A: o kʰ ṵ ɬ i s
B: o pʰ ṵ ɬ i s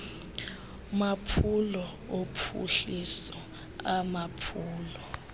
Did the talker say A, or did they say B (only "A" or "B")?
B